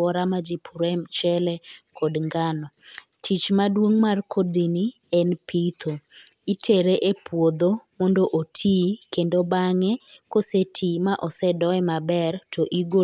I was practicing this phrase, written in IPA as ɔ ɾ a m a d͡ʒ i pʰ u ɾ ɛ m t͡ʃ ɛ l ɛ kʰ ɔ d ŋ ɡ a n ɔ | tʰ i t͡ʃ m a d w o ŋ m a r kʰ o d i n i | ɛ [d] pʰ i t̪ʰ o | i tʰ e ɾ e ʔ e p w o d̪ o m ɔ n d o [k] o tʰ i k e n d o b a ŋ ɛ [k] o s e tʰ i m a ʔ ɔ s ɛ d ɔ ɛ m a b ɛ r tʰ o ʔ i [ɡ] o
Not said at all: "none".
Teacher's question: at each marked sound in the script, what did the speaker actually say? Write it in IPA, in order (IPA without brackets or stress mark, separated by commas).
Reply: n, ʔ, k, ɡ